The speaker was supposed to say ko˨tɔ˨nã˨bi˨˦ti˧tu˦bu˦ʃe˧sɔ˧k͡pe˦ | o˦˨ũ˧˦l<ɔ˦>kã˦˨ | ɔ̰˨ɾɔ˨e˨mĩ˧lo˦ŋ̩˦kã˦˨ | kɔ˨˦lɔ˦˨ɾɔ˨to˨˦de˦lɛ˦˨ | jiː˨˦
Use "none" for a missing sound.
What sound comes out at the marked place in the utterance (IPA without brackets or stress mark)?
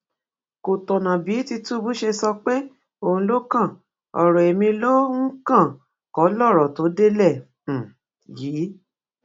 o˦